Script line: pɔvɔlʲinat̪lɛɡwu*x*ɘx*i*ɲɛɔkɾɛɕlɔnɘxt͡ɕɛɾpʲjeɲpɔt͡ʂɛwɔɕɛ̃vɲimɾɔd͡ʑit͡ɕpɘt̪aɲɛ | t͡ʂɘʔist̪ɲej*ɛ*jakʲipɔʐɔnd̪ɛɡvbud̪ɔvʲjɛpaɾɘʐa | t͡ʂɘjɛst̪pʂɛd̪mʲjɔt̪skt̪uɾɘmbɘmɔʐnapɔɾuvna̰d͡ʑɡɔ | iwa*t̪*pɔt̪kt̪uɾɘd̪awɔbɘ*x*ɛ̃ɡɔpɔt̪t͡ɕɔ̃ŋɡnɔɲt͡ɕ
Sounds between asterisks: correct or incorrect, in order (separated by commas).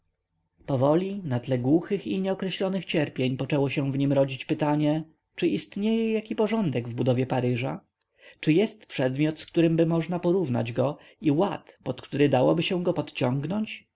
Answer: correct, correct, correct, correct, incorrect